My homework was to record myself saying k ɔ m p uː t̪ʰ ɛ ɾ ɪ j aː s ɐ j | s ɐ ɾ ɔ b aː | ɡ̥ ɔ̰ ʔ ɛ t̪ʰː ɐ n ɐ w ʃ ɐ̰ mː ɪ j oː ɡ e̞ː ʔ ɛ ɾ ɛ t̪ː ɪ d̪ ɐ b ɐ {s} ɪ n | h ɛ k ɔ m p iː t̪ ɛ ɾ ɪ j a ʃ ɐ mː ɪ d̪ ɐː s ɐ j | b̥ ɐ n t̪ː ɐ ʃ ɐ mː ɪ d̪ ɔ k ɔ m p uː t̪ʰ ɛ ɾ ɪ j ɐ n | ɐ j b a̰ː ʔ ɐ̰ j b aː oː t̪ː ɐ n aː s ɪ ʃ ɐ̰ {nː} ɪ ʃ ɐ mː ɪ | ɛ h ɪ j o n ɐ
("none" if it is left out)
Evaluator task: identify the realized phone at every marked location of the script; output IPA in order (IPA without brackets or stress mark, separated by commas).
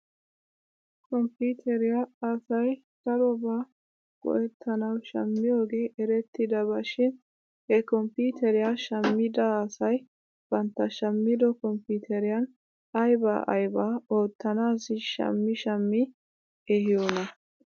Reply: ʃ, mː